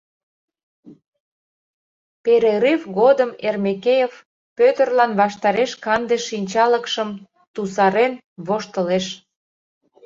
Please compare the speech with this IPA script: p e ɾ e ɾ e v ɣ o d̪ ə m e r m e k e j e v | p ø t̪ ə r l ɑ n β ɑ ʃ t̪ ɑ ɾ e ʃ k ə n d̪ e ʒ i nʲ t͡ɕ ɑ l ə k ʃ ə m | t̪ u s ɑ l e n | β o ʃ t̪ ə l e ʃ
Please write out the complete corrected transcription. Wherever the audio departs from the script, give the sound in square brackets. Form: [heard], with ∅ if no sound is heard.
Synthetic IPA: p e ɾ e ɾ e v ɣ o d̪ ə m e r m e k e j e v | p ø t̪ ə r l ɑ n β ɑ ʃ t̪ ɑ ɾ e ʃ k [ɑ] n d̪ e [ʃ] i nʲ t͡ɕ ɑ l ə k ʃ ə m | t̪ u s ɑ [ɾ] e n | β o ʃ t̪ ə l e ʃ